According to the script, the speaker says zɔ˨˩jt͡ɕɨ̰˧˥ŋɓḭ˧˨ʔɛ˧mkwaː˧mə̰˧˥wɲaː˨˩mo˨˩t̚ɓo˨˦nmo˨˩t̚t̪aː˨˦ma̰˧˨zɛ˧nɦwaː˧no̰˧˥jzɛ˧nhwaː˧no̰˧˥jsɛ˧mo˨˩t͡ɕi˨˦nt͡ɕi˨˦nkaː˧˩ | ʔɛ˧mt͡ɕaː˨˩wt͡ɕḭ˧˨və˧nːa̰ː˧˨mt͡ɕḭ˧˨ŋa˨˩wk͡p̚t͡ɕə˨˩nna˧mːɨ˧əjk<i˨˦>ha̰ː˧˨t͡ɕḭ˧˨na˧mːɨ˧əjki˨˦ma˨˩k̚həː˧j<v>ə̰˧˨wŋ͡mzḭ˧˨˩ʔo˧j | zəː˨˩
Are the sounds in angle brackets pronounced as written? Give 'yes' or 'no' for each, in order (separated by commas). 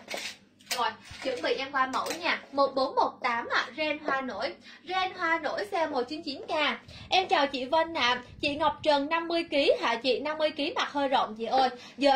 yes, no